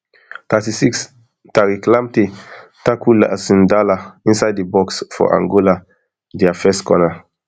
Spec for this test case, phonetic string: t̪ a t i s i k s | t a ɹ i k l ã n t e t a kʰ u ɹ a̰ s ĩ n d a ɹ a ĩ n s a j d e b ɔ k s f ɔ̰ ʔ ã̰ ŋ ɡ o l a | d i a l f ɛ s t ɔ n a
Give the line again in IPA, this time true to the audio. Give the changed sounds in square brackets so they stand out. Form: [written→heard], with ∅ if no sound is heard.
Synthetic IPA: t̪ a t i s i k s | t a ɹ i k l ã [n→m] t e t a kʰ u [ɹ→l] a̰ s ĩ n d a [ɹ→l] a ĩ n s a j d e b ɔ k s f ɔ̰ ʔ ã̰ ŋ ɡ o l a | d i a [l→∅] f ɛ s [t→k] ɔ n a